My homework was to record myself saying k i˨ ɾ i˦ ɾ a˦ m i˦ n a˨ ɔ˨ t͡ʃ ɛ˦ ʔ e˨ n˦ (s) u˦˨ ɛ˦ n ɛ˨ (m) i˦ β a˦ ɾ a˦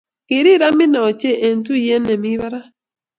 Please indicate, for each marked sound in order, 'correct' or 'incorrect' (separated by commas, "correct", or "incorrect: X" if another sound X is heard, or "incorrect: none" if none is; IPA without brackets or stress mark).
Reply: incorrect: t, correct